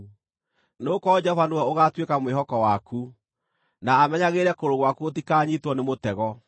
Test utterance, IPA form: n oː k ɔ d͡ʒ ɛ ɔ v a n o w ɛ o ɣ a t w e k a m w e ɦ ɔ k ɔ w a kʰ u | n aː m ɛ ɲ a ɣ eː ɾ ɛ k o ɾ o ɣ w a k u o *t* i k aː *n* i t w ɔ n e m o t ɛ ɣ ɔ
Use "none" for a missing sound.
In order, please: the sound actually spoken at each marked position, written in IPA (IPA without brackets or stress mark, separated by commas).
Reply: t, ɲ